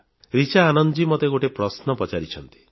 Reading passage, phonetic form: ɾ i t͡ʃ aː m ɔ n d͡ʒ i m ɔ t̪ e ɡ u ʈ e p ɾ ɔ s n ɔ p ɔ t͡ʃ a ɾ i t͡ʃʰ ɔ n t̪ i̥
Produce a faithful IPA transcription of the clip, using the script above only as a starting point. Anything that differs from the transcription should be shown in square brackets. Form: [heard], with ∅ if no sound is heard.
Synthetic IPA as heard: ɾ i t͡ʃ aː [n] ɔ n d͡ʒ i m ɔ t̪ e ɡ [o] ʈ e p ɾ ɔ s n ɔ p ɔ t͡ʃ a ɾ i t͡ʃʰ ɔ n t̪ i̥